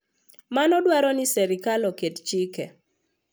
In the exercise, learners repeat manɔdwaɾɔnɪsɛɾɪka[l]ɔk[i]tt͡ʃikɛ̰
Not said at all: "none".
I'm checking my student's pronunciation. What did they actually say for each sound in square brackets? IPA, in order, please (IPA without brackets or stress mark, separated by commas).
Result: l, e